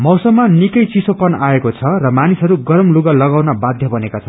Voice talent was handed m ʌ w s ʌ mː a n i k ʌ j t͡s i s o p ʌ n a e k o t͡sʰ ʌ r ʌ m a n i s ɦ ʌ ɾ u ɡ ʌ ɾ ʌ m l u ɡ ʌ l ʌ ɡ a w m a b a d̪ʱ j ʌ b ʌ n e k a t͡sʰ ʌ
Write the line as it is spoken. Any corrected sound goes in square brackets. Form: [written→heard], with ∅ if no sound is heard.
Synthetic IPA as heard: m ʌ w s ʌ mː a n i k ʌ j t͡s i s o p ʌ n a e k o t͡sʰ ʌ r ʌ m a n i s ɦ ʌ ɾ u ɡ ʌ ɾ ʌ m l u ɡ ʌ l ʌ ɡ a w [m→n] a b a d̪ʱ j ʌ b ʌ n e k a t͡sʰ ʌ